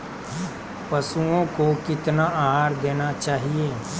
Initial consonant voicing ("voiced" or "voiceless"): voiceless